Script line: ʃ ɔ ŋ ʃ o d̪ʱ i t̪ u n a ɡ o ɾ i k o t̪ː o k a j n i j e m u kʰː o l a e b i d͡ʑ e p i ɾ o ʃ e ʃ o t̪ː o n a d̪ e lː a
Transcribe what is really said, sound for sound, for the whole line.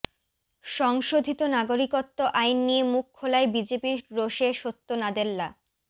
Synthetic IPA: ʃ ɔ ŋ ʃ o d̪ʱ i t̪ o n a ɡ o ɾ i k o t̪ː o ʔ a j nː i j e m u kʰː o l a e b i d͡ʑ e p i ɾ o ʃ e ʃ o t̪ː o n a d̪ e lː a